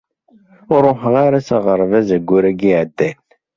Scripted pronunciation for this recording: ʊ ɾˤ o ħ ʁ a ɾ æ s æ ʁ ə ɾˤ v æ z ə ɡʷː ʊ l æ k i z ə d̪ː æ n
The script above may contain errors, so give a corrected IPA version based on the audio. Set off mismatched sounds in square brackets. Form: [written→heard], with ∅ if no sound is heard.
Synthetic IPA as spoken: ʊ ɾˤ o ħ ʁ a ɾ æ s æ ʁ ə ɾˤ v æ z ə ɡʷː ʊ [l→ɾ] æ [k→ɡ] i [z→ʕ] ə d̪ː æ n